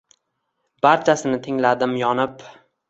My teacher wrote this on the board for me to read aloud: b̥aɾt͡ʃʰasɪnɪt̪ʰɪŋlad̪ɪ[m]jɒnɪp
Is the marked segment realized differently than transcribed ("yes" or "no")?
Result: no